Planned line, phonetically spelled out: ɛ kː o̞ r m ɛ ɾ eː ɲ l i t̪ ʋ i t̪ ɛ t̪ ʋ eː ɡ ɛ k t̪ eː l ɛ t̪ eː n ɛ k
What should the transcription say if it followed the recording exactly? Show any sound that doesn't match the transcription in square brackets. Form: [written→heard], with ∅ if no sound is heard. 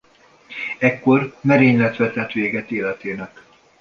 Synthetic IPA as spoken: ɛ kː o̞ r m ɛ ɾ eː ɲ l [i→ɛ] t̪ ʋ [i→ɛ] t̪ ɛ t̪ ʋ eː ɡ ɛ [k→∅] t̪ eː l ɛ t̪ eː n ɛ k